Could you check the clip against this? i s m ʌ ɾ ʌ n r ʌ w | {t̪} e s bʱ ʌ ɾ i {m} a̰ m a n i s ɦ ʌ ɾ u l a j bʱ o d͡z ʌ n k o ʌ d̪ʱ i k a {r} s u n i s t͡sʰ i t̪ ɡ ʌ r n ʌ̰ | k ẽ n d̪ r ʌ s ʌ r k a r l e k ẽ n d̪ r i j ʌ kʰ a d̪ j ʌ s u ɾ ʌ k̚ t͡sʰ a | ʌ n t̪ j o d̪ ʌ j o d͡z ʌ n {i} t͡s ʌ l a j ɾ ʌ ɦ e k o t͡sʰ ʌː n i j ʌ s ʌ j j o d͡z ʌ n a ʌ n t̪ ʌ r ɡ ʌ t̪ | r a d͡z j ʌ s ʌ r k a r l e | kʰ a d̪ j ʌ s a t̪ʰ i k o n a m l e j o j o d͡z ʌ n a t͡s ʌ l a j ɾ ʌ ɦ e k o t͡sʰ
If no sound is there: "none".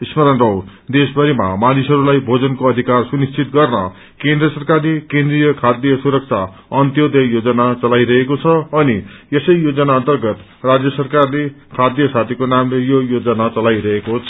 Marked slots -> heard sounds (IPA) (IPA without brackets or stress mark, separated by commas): d̪, m, r, a